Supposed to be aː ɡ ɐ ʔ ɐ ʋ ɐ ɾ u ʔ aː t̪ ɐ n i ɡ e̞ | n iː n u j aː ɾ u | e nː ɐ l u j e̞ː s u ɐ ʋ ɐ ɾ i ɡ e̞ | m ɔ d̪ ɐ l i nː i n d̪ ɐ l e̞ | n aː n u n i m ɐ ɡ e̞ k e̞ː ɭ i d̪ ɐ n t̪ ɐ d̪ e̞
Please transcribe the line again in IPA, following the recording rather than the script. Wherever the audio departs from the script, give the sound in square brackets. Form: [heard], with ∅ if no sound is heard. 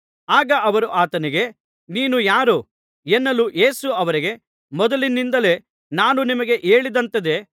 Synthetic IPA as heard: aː ɡ ɐ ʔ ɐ ʋ ɐ ɾ u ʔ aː t̪ ɐ n i ɡ e̞ | n iː n u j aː ɾ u | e nː ɐ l u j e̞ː s u ɐ ʋ ɐ ɾ i ɡ e̞ | m ɔ d̪ ɐ l i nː i n d̪ ɐ l e̞ | n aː n u n i m ɐ ɡ e̞ [ʔ] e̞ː ɭ i d̪ ɐ n t̪ ɐ d̪ e̞

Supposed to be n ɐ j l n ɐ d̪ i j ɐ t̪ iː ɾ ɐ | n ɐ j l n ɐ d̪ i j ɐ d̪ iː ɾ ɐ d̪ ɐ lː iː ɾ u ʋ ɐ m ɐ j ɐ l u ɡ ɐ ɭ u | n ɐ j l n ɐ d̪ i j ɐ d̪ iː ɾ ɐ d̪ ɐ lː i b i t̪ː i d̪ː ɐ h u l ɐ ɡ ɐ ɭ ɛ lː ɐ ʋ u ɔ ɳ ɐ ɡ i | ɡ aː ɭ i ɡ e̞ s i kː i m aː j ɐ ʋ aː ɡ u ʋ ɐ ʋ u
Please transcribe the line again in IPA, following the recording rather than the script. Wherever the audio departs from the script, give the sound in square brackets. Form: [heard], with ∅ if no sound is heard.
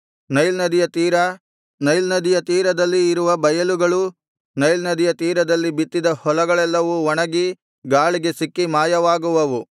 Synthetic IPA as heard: n ɐ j l n ɐ d̪ i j ɐ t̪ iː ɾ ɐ | n ɐ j l n ɐ d̪ i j ɐ [t̪] iː ɾ ɐ d̪ ɐ lː iː ɾ u ʋ ɐ [b] ɐ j ɐ l u ɡ ɐ ɭ u | n ɐ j l n ɐ d̪ i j ɐ [t̪] iː ɾ ɐ d̪ ɐ lː i b i t̪ː i [d̪] ɐ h [ɔ] l ɐ ɡ ɐ ɭ ɛ lː ɐ ʋ u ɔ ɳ ɐ ɡ i | ɡ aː ɭ i ɡ e̞ s i kː i m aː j ɐ ʋ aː ɡ u ʋ ɐ ʋ u

